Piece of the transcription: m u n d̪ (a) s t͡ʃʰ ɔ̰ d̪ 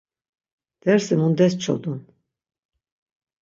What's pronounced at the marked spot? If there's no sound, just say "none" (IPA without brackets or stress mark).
ɛ